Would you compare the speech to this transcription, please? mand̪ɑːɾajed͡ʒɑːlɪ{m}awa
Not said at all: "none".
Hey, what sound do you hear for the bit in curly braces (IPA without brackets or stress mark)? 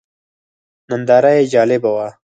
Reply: b